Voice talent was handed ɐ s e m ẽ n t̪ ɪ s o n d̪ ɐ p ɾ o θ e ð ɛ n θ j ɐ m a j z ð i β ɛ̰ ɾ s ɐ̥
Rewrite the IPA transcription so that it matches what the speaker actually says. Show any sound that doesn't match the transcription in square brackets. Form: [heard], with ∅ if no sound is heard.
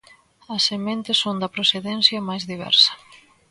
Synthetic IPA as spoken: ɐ s e m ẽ n t̪ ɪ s o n d̪ ɐ p ɾ o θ e ð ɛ n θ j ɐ m a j z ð i β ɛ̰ ɾ s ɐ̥